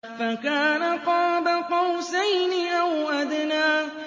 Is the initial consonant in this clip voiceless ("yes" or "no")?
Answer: yes